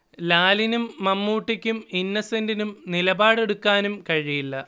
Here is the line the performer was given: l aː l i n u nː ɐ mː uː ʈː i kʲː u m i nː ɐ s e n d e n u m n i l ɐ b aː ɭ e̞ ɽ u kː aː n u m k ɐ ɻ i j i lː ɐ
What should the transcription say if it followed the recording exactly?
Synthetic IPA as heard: l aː l i n u mː ɐ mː uː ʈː i kʲː u m i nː ɐ s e n d i n u m n i l ɐ b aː ɽ e̞ ɽ u kː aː n u m k ɐ ɻ i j i lː ɐ